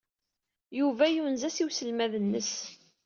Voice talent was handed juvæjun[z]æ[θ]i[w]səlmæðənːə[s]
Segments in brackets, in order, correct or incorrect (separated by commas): correct, incorrect, correct, correct